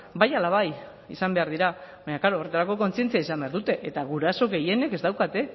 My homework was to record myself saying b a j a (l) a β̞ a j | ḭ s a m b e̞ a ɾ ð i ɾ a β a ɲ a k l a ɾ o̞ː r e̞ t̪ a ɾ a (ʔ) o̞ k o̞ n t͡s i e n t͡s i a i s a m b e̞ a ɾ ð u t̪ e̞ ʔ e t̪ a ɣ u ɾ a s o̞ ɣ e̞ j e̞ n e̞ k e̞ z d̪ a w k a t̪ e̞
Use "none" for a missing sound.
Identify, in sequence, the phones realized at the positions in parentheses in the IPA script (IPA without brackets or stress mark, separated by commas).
l, k